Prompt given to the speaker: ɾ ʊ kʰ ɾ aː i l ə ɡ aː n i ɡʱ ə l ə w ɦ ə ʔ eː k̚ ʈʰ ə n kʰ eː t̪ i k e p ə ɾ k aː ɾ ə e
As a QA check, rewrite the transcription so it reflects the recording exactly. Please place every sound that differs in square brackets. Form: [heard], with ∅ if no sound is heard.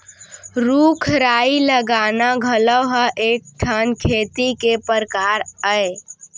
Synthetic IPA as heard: ɾ [u] kʰ ɾ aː i l ə ɡ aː n [a] ɡʱ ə l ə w ɦ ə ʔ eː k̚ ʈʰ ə n kʰ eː t̪ i k e p ə ɾ k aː ɾ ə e